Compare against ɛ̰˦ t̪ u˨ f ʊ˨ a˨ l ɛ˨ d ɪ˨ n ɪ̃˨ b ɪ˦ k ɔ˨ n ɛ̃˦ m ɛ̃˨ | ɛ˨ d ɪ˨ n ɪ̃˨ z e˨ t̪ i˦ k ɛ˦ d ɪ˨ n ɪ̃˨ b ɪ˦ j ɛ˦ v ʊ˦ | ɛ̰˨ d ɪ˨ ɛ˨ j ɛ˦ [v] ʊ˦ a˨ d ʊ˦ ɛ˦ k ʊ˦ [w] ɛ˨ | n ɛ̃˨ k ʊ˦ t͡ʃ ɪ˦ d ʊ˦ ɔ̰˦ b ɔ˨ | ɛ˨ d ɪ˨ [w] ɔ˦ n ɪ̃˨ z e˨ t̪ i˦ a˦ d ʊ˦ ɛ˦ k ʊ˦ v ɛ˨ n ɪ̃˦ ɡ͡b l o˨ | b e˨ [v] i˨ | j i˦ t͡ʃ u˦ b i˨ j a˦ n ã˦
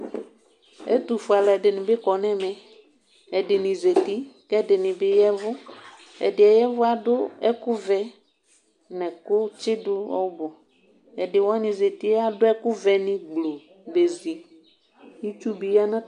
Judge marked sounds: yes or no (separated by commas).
yes, no, yes, no